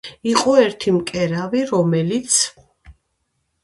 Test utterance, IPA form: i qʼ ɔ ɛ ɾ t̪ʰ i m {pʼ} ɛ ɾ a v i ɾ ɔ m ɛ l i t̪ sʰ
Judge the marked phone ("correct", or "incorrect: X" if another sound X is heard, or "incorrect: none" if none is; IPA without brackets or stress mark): incorrect: kʼ